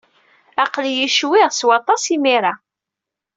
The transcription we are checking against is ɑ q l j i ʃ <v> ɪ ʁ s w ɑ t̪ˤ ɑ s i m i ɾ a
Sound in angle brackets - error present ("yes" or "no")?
yes